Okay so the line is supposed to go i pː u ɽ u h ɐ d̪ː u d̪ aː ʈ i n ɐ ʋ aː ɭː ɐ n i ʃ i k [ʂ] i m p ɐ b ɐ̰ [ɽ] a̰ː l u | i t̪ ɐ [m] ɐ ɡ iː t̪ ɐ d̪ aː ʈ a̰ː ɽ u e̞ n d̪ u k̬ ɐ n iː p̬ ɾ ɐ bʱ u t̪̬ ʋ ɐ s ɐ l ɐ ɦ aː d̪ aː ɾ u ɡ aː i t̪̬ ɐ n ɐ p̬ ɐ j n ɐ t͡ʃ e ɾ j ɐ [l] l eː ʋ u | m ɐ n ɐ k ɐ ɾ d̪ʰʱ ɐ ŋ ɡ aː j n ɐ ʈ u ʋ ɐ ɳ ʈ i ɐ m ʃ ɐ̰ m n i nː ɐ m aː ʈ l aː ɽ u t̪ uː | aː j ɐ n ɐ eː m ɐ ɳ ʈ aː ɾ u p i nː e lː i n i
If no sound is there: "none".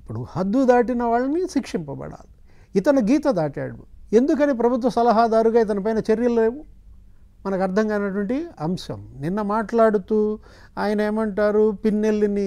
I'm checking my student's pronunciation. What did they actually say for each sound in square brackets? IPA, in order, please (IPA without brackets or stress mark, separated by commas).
ʂ, ɽ, n, l